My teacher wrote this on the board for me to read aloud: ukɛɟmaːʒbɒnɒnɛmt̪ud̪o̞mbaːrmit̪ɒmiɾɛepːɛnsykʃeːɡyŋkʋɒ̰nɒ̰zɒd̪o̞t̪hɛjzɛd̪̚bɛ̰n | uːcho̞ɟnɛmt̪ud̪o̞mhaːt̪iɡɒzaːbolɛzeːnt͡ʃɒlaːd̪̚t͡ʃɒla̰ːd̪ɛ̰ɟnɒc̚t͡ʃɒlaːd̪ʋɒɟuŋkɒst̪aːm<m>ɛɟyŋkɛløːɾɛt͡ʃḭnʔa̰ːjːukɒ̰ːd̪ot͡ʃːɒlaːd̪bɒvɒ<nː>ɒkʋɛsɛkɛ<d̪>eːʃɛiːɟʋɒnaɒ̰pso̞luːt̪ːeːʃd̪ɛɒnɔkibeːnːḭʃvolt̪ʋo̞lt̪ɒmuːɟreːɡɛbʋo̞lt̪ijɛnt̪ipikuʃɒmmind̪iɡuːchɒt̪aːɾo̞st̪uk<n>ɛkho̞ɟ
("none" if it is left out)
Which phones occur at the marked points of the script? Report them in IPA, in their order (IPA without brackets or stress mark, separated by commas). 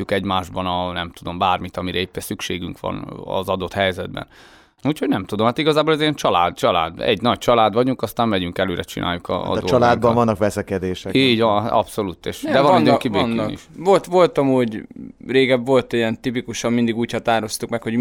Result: m, nː, d̪, m